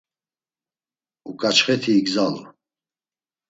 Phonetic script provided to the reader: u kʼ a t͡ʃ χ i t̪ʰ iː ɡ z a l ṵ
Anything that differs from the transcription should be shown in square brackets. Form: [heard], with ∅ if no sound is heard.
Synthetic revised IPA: u kʼ a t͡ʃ χ [ɛ] t̪ʰ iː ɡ z a l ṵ